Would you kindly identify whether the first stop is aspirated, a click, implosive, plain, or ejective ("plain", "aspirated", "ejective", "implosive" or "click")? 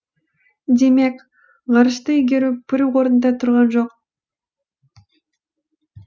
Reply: plain